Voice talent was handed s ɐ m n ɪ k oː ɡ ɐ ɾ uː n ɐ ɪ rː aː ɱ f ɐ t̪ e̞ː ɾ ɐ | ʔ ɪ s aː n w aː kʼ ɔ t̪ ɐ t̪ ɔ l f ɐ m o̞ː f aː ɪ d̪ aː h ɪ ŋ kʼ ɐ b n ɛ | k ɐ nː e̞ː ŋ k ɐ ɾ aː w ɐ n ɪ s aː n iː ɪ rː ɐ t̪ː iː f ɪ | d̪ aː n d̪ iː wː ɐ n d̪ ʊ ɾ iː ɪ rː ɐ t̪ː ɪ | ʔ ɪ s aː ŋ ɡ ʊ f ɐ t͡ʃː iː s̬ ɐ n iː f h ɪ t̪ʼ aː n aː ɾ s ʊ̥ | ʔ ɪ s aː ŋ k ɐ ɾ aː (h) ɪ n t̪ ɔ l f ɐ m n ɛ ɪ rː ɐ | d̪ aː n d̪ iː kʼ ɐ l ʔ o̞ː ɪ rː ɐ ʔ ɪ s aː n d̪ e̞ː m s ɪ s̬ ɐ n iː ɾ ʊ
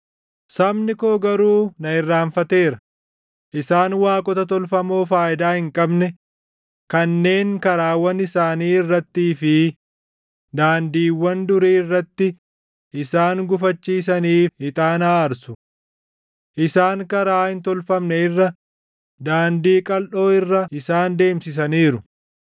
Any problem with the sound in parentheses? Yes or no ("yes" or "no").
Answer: no